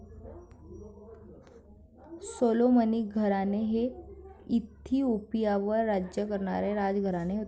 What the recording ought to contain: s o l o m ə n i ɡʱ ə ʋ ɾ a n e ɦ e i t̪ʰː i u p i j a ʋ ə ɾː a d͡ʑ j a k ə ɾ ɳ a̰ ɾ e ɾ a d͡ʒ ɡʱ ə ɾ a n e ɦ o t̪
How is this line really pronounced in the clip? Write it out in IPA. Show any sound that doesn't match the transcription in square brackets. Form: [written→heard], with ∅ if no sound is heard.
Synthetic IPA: s o l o m ə n i ɡʱ ə [ʋ→∅] ɾ a n e ɦ e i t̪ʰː i u p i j a ʋ ə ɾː a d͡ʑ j [a→ə] k ə ɾ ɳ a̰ ɾ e ɾ a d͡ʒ ɡʱ ə ɾ a n e ɦ o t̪